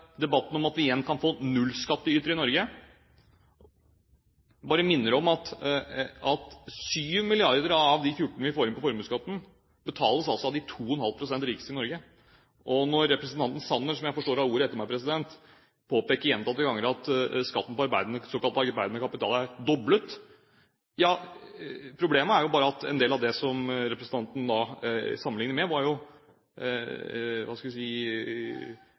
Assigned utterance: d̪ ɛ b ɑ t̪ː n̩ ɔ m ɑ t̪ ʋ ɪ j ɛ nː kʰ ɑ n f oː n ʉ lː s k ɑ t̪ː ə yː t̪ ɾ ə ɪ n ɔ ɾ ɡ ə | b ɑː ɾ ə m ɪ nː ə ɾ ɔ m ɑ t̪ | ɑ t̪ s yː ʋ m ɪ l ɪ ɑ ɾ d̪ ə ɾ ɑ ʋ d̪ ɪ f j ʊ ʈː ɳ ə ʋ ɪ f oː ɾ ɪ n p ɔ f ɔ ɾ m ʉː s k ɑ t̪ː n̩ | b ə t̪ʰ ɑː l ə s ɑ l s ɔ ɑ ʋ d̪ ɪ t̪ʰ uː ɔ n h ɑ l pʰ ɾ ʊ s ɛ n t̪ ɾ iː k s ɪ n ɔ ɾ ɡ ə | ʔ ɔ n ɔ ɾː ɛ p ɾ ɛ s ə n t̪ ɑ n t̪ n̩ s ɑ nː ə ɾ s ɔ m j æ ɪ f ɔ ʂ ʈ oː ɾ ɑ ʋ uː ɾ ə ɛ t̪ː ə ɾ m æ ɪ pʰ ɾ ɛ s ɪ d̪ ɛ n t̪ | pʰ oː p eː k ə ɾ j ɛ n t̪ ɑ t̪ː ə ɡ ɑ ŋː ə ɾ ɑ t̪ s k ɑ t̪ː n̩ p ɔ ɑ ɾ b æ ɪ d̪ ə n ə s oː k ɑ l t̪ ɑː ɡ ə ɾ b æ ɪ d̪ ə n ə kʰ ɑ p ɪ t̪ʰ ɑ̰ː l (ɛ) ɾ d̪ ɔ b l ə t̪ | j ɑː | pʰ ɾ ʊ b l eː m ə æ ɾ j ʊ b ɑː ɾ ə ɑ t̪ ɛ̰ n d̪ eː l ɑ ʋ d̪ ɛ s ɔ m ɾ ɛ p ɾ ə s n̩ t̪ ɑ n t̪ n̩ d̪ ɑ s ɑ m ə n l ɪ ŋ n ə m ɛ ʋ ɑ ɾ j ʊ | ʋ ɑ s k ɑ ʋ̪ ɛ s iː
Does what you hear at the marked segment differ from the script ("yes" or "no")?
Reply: yes